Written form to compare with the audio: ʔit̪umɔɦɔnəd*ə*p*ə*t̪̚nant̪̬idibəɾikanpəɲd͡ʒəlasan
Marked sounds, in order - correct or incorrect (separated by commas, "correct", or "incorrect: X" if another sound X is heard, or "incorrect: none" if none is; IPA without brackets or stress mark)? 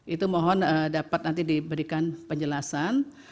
incorrect: a, incorrect: a